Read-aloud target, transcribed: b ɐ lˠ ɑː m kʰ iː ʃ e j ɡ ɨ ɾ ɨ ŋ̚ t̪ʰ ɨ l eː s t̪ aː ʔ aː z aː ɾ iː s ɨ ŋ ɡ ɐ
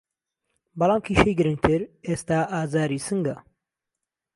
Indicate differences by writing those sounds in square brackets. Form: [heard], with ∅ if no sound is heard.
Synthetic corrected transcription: b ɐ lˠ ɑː m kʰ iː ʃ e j ɡ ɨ ɾ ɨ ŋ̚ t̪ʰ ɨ [ɾ] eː s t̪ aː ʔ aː z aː ɾ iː s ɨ ŋ ɡ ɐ